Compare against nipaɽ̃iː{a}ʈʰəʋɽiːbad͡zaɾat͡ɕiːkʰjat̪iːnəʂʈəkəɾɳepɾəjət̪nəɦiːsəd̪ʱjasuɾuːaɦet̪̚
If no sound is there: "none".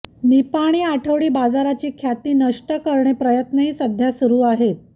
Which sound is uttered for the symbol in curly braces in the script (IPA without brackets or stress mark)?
a